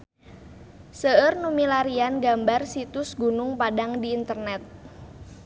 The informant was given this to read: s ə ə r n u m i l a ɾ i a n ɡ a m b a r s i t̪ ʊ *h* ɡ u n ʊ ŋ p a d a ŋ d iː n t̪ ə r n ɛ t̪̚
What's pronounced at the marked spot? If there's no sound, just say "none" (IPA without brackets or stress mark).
s